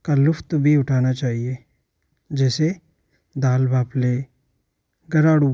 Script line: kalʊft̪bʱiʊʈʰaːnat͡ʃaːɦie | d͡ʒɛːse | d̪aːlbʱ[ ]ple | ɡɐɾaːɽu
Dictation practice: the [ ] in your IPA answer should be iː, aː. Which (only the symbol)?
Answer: aː